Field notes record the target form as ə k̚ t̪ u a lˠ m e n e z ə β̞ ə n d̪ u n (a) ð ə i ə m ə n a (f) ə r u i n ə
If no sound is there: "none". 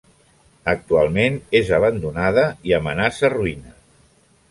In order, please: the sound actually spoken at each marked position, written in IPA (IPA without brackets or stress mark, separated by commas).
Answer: a, s